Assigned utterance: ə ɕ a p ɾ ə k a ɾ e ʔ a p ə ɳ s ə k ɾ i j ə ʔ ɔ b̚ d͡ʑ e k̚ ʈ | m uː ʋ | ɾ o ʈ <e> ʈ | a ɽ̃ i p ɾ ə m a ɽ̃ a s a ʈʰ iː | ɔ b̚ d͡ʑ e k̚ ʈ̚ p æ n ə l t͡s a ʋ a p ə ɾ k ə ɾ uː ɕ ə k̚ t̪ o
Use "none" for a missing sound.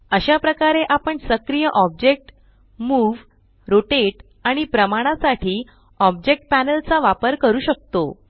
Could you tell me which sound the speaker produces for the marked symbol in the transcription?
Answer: e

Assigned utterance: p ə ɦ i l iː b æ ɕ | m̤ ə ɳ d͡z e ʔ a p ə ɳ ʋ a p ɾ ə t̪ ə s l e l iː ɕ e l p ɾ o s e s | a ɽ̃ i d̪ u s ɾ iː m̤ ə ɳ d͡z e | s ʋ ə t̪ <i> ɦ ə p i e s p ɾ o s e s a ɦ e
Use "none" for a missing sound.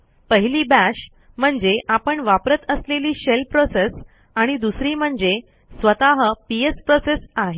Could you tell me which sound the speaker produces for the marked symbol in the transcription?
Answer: a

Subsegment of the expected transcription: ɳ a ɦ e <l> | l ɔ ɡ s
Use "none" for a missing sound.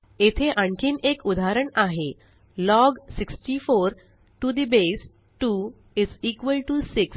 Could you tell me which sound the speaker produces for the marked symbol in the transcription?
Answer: none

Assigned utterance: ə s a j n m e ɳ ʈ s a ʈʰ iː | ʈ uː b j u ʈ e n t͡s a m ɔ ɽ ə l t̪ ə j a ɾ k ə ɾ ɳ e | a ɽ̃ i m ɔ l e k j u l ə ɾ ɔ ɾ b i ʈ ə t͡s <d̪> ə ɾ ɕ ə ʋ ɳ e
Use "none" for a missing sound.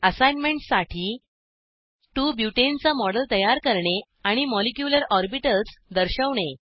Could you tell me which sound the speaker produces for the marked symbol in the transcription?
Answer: d̪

